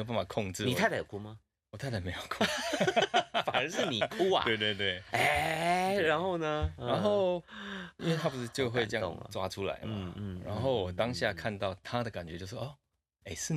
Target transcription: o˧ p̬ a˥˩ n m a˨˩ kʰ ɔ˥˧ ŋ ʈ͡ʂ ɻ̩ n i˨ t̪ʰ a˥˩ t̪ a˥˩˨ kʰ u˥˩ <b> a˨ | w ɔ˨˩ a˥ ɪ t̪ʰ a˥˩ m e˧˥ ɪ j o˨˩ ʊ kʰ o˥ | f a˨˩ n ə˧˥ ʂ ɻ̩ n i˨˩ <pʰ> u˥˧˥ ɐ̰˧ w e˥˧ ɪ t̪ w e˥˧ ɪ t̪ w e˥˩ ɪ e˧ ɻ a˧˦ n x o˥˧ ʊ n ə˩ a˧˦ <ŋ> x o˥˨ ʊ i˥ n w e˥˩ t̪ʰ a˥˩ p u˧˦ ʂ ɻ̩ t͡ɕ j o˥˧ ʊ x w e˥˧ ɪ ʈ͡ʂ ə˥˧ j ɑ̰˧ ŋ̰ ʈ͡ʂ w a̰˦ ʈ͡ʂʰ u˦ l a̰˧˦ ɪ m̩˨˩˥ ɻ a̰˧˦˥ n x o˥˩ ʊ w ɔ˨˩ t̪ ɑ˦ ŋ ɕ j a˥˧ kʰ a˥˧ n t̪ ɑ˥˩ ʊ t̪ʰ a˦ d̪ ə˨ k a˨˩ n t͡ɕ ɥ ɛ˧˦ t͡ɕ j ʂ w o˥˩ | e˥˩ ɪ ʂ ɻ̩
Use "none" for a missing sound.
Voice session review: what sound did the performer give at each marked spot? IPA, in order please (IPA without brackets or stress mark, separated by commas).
m, kʰ, n